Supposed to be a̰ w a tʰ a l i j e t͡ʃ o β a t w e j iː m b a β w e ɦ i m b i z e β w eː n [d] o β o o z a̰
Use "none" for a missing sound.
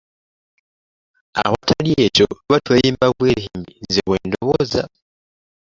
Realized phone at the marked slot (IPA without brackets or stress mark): d